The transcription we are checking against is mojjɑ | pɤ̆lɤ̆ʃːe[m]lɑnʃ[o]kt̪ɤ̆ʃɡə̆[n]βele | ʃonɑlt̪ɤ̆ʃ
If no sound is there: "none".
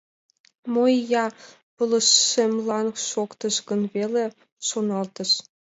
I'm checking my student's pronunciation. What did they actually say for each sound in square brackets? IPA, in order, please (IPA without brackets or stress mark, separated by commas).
m, o, n